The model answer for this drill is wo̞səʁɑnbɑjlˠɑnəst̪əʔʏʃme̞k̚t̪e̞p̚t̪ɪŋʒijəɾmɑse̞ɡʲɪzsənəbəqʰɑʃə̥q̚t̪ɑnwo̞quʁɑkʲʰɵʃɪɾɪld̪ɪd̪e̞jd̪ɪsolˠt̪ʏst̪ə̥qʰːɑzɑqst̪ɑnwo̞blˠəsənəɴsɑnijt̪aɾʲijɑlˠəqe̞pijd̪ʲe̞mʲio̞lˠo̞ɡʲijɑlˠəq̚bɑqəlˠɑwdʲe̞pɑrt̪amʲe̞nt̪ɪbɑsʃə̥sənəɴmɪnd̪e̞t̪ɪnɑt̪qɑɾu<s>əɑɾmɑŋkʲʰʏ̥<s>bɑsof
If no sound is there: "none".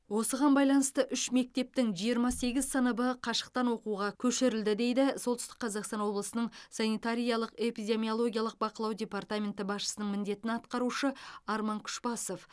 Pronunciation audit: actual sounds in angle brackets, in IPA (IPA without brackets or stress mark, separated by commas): ʃ, ʃ